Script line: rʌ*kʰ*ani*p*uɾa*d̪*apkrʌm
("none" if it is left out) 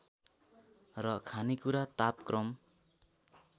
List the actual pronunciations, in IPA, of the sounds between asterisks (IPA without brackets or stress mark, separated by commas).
kʰ, k, t̪